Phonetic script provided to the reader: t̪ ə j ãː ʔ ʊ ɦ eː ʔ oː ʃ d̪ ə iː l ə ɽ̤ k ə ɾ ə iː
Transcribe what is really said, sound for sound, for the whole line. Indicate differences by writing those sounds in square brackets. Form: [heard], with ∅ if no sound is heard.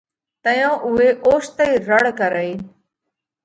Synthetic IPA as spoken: t̪ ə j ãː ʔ ʊ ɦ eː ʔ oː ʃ [t̪] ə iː [ɾ] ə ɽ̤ k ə ɾ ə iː